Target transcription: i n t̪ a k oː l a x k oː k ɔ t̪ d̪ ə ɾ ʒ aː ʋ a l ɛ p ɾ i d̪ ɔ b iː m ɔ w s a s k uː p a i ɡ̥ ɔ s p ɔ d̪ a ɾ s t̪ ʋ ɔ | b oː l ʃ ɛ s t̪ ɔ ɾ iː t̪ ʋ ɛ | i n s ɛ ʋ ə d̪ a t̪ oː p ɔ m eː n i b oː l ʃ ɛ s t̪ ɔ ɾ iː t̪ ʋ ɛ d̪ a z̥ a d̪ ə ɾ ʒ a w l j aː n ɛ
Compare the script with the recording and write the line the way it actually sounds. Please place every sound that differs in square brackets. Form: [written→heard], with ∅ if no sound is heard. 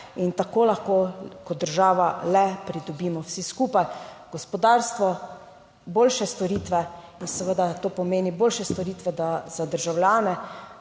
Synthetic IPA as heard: i n t̪ a k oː l a x k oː k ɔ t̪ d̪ ə ɾ ʒ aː ʋ a l ɛ p ɾ i d̪ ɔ b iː m ɔ w s [a→i] s k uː p a [i→j] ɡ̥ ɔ s p ɔ d̪ a ɾ s t̪ ʋ ɔ | b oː l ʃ ɛ s t̪ ɔ ɾ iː t̪ ʋ ɛ | i n s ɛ ʋ ə d̪ a t̪ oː p ɔ m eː n i b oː l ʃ ɛ s t̪ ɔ ɾ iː t̪ ʋ ɛ d̪ a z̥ a d̪ ə ɾ ʒ a w l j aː n ɛ